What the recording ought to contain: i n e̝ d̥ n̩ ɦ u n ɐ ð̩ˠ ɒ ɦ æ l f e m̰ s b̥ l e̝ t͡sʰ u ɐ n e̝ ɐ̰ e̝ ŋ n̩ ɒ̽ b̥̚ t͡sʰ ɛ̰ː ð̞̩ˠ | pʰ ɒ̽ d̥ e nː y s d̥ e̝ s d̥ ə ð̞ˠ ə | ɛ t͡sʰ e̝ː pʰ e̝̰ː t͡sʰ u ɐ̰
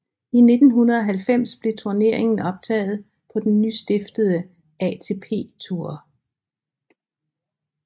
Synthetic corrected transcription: i n e̝ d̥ n̩ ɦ u n ɐ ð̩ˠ ɒ ɦ æ l f e m̰ s b̥ l e̝ t͡sʰ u ɐ n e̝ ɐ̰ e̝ ŋ n̩ ɒ̽ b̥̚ t͡sʰ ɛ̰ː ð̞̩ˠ | pʰ ɒ̽ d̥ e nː y s d̥ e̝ f d̥ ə ð̞ˠ ə | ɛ t͡sʰ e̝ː pʰ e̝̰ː t͡sʰ u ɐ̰